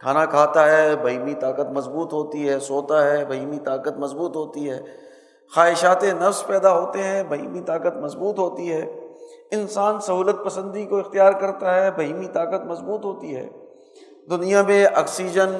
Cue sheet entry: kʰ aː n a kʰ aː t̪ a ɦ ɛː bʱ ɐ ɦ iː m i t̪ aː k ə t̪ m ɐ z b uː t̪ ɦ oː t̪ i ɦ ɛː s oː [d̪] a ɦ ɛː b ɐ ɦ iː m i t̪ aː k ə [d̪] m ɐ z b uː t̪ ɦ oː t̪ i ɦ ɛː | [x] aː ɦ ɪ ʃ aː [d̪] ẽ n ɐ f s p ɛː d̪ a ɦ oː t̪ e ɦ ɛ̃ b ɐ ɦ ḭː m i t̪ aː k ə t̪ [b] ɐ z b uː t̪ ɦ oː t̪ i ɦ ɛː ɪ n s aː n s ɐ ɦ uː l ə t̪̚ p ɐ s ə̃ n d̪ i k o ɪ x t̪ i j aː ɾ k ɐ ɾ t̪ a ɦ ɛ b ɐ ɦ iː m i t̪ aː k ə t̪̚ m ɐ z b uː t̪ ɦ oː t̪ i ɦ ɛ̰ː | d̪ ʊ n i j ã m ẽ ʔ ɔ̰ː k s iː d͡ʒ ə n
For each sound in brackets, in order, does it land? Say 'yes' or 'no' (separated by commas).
no, no, yes, no, no